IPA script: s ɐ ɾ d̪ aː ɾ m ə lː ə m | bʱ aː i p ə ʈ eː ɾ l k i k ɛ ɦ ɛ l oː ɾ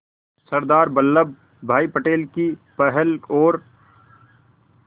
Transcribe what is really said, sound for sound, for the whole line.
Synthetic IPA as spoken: s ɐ ɾ d̪ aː ɾ b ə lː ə b | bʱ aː i p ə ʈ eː l k i p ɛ ɦ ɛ l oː ɾ